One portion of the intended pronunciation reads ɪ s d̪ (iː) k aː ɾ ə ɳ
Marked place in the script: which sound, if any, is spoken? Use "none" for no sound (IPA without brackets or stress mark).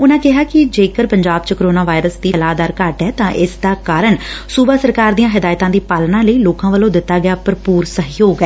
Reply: aː